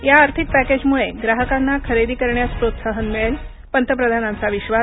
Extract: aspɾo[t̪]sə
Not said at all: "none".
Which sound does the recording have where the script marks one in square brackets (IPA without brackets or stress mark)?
t̪